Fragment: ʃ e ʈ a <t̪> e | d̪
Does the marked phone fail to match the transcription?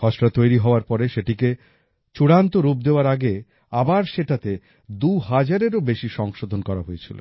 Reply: no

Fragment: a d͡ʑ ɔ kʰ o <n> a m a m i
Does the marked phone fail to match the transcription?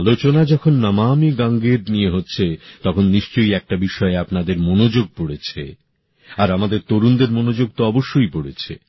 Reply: yes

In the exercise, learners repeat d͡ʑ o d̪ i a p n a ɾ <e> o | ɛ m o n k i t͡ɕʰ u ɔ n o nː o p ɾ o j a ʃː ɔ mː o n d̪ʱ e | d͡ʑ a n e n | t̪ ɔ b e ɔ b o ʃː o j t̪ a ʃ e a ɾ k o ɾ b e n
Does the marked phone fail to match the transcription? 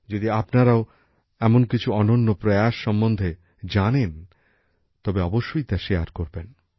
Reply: yes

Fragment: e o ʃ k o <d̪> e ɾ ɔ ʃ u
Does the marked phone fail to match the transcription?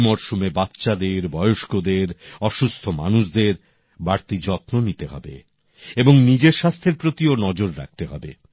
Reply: no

